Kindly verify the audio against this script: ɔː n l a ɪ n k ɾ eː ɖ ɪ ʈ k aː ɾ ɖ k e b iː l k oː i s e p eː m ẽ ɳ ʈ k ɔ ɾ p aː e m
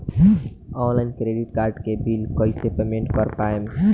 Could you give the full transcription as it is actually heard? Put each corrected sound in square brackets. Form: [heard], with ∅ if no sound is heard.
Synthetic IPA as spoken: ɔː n l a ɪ n k ɾ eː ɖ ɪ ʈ k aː ɾ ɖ k e b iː l k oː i s e p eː m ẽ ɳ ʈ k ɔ ɾ p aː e m